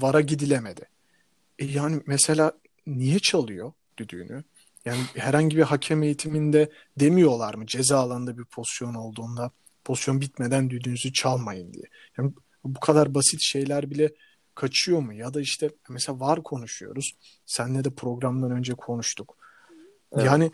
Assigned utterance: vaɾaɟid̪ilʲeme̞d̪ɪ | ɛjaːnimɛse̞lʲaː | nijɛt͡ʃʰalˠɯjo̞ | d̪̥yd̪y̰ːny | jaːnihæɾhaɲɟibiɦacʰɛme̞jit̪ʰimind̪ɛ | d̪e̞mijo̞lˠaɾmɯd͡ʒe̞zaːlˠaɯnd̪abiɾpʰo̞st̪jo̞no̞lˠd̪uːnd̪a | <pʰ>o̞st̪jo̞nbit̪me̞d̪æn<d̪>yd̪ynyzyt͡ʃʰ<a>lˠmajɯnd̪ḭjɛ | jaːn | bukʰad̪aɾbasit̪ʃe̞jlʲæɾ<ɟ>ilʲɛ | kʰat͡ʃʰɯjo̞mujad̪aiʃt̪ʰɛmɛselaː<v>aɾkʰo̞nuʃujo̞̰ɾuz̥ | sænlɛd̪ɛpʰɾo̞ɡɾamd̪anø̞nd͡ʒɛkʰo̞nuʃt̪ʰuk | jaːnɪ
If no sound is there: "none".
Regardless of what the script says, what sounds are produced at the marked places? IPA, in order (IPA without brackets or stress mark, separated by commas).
pʰ, d̪, a, b, v